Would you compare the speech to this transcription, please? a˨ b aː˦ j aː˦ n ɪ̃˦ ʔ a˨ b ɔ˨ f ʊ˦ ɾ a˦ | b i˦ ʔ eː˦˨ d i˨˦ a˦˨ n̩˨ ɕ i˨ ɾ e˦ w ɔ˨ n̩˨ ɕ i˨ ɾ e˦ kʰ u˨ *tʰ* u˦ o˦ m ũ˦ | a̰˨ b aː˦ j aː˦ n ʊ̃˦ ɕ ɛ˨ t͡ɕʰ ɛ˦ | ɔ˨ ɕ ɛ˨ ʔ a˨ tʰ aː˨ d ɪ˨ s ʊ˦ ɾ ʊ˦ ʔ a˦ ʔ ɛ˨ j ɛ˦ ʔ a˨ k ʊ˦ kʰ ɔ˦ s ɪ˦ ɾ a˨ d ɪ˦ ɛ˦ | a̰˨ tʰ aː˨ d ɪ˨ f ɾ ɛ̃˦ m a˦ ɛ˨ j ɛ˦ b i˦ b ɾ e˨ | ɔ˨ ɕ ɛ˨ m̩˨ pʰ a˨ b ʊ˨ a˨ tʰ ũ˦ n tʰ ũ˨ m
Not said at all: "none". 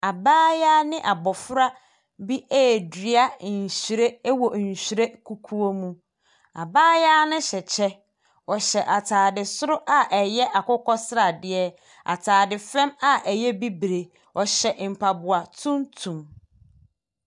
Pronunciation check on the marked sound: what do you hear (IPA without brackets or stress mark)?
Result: kʰ